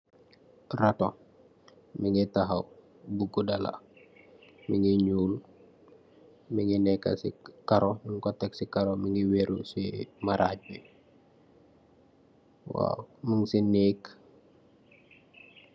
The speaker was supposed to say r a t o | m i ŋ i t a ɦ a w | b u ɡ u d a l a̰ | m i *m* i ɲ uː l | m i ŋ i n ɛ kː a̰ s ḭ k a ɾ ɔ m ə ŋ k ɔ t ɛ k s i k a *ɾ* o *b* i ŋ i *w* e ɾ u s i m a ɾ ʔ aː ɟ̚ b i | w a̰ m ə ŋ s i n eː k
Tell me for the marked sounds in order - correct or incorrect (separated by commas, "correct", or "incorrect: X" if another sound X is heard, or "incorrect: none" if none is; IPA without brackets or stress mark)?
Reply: incorrect: ŋ, correct, incorrect: m, correct